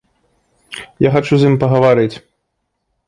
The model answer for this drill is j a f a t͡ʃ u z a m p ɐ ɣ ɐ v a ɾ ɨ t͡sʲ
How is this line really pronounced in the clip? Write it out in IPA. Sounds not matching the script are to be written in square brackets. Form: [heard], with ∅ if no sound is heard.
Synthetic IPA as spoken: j a [x] a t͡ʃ u z [i] m p ɐ ɣ ɐ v a ɾ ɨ t͡sʲ